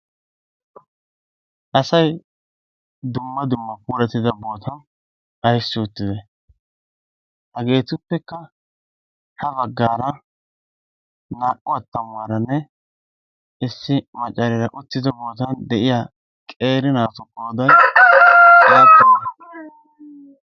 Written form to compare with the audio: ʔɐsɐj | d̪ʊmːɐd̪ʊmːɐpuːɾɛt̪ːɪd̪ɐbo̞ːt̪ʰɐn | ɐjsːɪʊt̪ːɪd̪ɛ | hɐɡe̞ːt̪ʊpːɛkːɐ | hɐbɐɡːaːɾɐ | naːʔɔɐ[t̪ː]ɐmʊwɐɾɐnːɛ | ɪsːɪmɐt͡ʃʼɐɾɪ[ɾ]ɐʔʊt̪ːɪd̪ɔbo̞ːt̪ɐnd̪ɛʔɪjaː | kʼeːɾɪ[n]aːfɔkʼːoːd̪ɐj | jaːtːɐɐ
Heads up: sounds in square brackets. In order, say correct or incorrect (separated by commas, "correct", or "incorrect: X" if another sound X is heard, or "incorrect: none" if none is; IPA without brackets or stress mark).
correct, correct, correct